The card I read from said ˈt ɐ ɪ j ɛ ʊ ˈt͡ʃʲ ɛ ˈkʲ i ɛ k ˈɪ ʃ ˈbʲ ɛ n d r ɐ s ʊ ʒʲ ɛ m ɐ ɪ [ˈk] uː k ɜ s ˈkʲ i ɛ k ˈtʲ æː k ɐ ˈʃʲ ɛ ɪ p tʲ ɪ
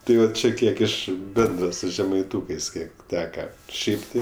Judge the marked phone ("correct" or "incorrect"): incorrect